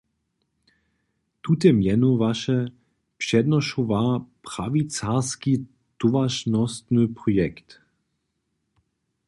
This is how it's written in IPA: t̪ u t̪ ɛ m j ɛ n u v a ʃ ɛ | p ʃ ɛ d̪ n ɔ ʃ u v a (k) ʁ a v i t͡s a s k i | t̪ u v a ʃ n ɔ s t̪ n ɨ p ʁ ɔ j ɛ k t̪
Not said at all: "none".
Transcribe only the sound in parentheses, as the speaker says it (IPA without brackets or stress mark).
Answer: p